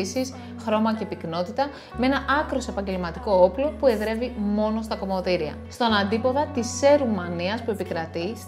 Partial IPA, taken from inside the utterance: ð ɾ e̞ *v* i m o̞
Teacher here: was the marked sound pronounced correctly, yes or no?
yes